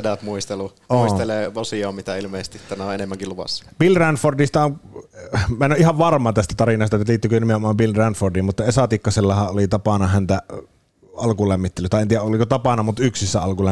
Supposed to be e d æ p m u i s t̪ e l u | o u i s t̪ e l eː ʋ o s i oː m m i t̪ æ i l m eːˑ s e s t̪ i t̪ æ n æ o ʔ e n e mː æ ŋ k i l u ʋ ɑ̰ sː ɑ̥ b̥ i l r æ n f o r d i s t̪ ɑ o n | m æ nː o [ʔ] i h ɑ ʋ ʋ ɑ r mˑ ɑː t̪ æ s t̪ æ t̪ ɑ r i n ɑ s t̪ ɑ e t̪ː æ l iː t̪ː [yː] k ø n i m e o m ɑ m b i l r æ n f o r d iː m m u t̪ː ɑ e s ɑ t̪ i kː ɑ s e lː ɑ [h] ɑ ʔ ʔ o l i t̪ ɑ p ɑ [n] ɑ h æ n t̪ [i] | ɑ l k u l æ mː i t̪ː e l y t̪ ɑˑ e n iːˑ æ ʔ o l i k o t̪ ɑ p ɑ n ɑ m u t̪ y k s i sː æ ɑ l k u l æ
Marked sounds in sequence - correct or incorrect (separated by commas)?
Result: correct, incorrect, correct, correct, incorrect